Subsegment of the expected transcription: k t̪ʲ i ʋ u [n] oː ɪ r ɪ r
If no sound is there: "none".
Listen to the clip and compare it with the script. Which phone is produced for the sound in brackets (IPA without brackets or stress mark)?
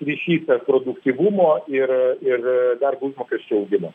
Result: m